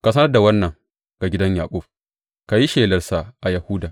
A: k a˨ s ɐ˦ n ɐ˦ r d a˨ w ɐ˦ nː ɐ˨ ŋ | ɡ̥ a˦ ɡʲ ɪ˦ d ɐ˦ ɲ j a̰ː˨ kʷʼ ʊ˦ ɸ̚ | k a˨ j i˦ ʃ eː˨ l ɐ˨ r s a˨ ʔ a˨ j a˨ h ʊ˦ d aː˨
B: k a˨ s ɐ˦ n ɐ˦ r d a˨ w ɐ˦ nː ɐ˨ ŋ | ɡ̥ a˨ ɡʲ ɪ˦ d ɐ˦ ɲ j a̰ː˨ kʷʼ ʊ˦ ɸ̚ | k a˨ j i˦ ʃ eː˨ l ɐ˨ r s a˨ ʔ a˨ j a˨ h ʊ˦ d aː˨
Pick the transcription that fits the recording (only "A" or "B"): B